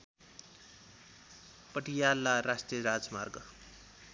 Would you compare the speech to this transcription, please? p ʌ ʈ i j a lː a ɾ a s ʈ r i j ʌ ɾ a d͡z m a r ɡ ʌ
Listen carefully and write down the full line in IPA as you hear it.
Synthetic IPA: p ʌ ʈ i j a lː a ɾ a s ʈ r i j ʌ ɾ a d͡z m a r ɡ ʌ